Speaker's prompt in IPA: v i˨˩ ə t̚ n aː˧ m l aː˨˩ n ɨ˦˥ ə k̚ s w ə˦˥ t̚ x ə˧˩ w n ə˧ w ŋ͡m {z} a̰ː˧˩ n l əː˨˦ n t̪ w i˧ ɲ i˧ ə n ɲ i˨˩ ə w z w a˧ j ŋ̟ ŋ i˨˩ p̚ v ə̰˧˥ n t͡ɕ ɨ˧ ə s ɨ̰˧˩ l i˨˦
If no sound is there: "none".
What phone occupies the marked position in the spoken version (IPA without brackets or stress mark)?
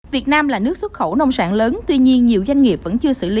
s